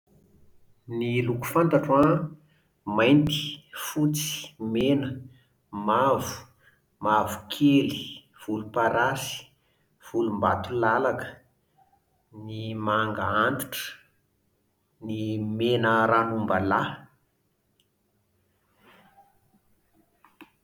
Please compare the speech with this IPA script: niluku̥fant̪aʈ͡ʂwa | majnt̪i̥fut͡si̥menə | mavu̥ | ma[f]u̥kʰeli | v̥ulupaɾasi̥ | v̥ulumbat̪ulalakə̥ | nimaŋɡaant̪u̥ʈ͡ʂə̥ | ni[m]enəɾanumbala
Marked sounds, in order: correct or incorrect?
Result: incorrect, correct

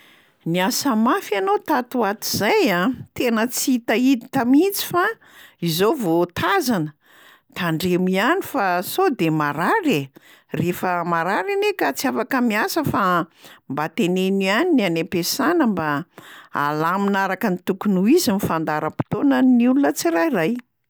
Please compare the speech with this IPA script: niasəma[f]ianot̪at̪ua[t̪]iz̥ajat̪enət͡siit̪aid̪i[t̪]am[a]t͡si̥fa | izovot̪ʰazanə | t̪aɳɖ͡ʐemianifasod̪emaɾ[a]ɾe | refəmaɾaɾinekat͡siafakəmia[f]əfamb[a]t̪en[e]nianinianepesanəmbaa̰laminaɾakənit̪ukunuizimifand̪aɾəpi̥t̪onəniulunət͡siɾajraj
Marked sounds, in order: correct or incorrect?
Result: correct, correct, correct, incorrect, correct, incorrect, correct, correct

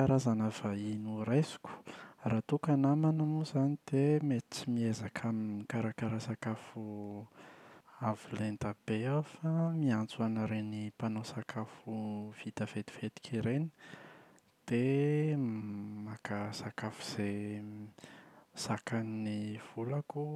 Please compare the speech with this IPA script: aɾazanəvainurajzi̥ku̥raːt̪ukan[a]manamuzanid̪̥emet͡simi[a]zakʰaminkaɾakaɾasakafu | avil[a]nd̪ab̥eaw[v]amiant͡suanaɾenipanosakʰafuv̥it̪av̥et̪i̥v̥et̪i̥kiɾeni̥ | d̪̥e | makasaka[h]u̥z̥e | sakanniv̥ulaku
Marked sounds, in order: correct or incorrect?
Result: correct, incorrect, incorrect, incorrect, incorrect

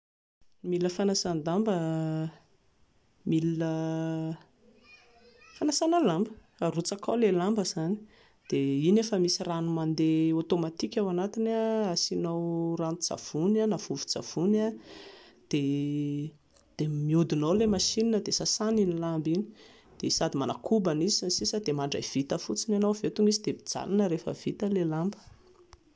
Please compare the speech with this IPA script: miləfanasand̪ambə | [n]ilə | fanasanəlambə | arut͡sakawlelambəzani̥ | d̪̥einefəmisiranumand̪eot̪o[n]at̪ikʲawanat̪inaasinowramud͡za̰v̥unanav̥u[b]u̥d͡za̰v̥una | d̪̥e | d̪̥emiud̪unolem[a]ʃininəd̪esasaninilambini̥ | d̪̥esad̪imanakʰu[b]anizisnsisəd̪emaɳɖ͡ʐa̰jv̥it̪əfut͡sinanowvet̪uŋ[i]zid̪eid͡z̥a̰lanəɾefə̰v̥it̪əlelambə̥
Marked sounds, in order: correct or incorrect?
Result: incorrect, incorrect, incorrect, correct, correct, correct

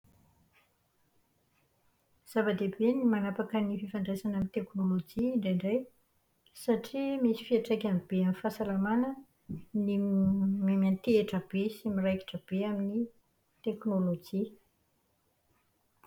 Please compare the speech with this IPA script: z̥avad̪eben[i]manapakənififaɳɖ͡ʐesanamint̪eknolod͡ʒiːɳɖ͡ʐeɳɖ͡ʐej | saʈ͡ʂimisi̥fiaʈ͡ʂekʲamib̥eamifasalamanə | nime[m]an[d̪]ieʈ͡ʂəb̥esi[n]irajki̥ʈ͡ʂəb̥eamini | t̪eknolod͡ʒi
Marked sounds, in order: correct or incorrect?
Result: correct, correct, incorrect, incorrect

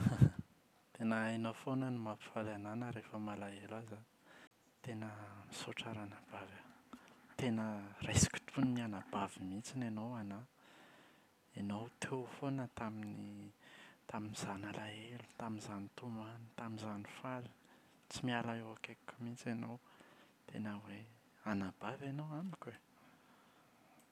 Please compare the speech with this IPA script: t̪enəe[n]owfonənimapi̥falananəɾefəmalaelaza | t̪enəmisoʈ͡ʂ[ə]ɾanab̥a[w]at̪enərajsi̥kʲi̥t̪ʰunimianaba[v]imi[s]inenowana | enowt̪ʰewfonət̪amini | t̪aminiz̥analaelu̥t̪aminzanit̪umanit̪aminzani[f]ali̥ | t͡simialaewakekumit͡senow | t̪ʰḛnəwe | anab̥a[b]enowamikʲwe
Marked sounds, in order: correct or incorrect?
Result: correct, incorrect, incorrect, correct, incorrect, correct, incorrect

